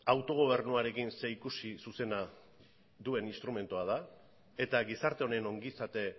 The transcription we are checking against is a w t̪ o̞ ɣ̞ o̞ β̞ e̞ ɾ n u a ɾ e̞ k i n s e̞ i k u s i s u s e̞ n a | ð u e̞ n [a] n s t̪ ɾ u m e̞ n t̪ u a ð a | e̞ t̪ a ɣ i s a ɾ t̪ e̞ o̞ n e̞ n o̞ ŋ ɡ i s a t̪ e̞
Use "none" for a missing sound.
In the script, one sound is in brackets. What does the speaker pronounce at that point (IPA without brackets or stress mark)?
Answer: i